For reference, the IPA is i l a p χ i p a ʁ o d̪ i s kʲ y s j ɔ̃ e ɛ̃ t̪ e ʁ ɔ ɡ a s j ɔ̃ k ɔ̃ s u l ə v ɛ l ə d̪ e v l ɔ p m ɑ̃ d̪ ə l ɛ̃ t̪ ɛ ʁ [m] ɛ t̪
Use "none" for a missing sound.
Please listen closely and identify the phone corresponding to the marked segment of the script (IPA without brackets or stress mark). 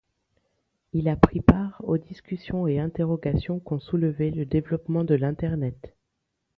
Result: n